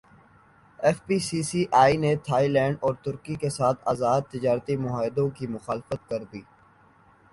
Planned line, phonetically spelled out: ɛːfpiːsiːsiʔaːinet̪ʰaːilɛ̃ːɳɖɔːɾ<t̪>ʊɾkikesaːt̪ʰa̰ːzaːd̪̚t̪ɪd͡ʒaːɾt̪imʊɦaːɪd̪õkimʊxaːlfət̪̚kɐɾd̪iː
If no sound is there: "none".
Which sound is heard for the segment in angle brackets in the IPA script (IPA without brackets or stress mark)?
t̪